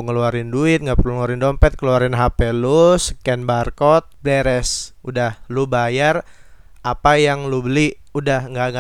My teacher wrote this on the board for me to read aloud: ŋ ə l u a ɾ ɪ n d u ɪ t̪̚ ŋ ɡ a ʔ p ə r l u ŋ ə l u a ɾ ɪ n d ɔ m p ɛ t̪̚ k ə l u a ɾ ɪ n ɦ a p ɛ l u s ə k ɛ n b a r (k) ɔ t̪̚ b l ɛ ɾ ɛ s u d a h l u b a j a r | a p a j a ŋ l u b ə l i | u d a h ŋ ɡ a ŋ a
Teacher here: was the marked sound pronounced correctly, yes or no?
yes